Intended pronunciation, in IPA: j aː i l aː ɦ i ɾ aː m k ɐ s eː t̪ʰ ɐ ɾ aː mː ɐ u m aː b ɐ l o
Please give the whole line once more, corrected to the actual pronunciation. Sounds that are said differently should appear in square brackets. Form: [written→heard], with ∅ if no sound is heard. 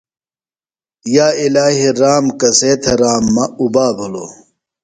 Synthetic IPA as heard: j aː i l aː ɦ i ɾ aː m k ɐ s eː t̪ʰ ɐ ɾ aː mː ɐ u [m→b] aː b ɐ l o